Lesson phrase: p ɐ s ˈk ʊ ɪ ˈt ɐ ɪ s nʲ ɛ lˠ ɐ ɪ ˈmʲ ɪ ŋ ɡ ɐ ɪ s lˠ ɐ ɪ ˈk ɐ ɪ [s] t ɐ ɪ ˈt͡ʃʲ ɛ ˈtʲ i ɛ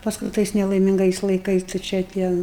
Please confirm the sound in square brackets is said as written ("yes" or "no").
yes